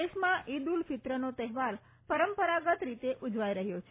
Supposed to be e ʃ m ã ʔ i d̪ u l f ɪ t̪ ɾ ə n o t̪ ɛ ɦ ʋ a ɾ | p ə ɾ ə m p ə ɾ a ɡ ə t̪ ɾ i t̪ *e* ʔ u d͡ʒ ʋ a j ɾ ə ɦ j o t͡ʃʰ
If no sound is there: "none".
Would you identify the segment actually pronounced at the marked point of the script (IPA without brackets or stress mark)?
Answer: e